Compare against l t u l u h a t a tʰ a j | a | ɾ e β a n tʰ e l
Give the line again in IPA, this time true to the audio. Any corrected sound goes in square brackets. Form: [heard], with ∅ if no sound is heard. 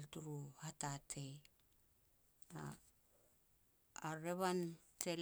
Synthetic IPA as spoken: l t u [ɾ] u h a t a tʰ [e] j | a | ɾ e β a n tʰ e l